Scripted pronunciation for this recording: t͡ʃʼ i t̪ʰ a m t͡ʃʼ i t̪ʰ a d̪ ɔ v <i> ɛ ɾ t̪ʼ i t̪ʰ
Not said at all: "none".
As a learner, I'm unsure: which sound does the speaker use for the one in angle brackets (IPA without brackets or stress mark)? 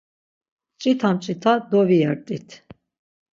i